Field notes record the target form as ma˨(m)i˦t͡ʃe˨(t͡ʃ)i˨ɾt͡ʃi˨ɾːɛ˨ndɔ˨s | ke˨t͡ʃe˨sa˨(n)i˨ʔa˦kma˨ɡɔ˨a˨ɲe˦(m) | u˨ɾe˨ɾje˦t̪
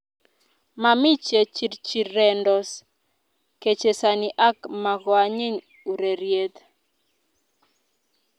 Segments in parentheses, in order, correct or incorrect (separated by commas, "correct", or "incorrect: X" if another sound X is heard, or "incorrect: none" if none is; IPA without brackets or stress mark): correct, correct, correct, incorrect: ɲ